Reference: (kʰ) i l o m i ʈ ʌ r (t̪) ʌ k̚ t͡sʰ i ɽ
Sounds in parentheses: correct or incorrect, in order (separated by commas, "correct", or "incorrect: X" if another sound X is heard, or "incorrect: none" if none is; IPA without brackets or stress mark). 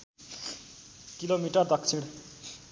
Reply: incorrect: k, incorrect: d̪